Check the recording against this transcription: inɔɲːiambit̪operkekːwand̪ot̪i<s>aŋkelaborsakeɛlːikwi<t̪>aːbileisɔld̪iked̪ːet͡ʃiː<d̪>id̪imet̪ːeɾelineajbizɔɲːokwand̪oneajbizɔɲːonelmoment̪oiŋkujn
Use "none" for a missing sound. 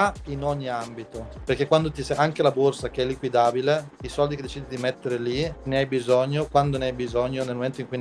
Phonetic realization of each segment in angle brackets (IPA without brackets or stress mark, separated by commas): s, d̪, d̪